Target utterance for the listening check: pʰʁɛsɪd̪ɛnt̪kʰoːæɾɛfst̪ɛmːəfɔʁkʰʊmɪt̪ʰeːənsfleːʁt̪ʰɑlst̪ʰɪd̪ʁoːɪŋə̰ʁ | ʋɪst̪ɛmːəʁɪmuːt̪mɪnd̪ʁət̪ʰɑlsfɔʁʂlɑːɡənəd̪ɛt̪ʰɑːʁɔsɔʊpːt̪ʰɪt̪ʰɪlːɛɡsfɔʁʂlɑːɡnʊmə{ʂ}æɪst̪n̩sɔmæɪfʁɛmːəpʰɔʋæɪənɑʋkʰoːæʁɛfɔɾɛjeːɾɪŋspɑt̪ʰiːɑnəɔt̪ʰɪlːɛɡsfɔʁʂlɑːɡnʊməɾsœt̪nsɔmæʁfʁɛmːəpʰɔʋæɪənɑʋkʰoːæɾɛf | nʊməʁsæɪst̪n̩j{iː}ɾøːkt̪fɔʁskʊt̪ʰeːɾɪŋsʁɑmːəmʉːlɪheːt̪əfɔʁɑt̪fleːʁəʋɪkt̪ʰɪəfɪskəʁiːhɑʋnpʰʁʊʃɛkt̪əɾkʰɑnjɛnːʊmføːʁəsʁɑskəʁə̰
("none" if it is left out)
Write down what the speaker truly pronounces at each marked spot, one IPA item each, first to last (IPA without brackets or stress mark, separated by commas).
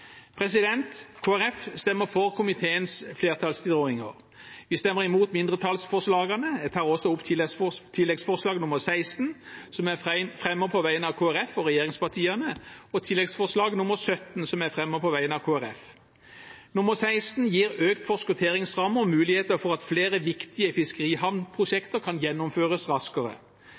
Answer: s, iː